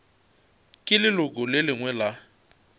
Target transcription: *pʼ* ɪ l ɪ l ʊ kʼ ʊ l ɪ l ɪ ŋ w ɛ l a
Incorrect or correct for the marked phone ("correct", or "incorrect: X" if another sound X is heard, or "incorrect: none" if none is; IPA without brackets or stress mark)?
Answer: incorrect: kʼ